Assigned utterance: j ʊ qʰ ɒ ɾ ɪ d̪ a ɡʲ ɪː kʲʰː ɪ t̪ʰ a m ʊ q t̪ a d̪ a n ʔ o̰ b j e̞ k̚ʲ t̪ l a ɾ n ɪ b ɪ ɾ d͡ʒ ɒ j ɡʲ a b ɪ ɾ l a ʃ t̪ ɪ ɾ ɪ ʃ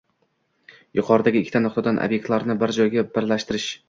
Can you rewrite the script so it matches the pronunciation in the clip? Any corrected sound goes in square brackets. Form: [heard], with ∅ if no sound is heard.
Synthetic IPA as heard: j ʊ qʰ ɒ ɾ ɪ d̪ a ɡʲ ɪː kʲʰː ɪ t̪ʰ a [n] ʊ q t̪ a d̪ a n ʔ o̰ b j e̞ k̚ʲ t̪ l a ɾ n ɪ b ɪ ɾ d͡ʒ ɒ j ɡʲ a b ɪ ɾ l a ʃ t̪ ɪ ɾ ɪ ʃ